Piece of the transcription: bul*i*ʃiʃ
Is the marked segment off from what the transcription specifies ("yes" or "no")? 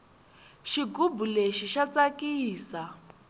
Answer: yes